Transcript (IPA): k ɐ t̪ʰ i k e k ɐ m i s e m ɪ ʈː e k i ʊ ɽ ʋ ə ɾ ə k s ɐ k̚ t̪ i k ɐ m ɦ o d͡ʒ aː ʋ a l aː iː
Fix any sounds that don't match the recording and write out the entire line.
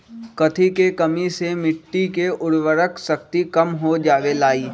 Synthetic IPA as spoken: k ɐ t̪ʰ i k e k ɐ m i s e m ɪ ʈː i k e ʊ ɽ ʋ ə ɾ ə k s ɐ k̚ t̪ i k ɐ m ɦ o d͡ʒ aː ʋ e l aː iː